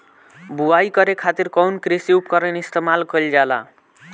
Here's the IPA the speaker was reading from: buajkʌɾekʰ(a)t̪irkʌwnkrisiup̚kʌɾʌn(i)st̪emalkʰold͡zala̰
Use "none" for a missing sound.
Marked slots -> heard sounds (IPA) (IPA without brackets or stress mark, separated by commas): a, i